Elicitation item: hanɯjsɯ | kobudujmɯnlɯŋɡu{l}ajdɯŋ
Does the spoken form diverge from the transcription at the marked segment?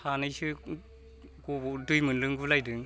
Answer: no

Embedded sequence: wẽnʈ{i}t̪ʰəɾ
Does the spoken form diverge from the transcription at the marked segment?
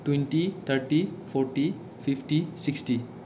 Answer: no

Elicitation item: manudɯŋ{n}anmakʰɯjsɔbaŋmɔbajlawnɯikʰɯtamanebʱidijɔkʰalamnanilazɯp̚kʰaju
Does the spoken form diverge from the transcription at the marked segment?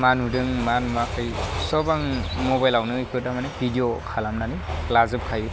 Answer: yes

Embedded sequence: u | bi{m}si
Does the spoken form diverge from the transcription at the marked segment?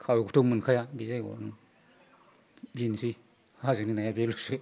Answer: yes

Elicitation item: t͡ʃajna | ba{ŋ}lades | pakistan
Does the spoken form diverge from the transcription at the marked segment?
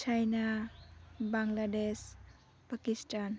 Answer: no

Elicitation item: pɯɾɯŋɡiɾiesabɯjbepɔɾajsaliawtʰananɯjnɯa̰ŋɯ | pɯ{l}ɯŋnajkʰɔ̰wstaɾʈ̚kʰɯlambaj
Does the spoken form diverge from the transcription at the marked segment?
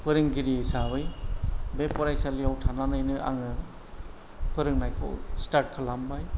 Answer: yes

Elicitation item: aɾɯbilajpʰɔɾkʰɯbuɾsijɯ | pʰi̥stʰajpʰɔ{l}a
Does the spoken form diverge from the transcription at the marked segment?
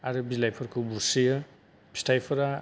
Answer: yes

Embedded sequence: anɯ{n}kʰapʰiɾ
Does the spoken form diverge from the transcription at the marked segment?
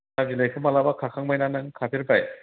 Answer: yes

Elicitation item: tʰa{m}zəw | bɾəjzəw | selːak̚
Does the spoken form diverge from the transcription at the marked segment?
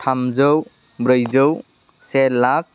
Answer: no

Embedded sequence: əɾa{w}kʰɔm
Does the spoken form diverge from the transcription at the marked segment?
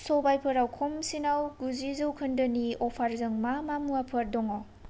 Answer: no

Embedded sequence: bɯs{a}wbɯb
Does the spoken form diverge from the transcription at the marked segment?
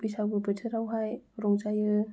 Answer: no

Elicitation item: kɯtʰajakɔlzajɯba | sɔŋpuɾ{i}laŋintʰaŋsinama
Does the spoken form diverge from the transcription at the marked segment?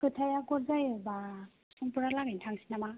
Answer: yes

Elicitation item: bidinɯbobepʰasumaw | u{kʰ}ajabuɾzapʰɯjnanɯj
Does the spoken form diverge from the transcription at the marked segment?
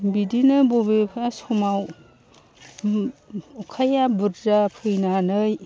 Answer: no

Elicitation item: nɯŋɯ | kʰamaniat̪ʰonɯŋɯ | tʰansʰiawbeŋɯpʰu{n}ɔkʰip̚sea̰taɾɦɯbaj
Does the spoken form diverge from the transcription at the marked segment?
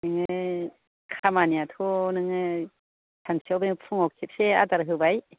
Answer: yes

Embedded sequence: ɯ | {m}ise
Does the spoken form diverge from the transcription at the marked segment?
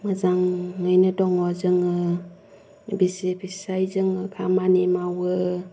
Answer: yes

